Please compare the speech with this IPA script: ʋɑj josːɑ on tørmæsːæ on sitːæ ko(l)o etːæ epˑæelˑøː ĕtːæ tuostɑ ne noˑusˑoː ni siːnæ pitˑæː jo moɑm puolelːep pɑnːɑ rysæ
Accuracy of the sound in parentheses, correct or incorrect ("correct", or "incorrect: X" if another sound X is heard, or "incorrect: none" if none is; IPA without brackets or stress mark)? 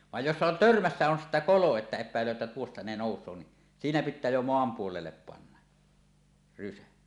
correct